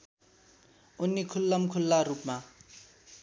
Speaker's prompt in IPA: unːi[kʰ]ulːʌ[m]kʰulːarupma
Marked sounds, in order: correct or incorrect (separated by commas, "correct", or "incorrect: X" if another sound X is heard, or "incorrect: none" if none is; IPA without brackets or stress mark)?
correct, correct